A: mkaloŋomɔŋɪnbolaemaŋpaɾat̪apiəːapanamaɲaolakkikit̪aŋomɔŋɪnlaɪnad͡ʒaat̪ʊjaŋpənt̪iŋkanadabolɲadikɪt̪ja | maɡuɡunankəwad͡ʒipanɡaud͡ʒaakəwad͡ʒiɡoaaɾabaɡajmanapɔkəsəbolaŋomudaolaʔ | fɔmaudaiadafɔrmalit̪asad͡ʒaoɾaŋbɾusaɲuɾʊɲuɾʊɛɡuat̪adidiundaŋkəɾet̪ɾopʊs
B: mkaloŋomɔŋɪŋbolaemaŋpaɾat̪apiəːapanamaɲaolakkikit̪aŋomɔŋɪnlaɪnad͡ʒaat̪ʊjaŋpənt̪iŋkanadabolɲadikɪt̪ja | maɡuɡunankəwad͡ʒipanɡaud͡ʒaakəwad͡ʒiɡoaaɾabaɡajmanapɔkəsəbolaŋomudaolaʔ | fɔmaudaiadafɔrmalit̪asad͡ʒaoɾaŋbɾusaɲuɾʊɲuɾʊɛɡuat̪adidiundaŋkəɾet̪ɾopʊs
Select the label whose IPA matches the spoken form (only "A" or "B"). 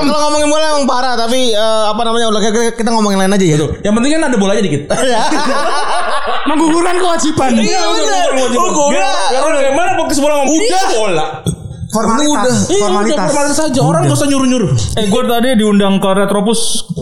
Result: A